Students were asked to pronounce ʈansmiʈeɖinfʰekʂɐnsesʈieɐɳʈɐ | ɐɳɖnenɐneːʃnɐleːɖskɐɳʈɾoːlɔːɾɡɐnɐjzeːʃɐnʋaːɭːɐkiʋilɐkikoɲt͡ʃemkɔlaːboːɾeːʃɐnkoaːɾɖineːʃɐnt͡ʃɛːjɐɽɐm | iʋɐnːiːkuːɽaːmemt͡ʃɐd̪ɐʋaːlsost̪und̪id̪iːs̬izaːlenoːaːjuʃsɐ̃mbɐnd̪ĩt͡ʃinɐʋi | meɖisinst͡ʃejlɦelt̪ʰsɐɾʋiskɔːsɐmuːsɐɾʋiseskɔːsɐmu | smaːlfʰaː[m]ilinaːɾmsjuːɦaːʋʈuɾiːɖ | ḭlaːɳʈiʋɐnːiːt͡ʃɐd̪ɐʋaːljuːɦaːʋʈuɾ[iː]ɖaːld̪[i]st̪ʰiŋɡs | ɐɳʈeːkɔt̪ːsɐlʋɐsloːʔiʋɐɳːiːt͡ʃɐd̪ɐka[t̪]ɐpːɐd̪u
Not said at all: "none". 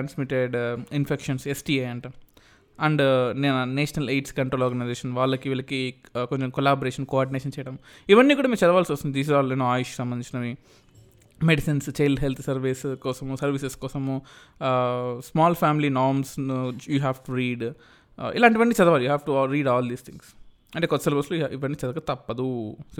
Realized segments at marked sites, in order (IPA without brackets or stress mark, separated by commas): m, iː, iː, t̪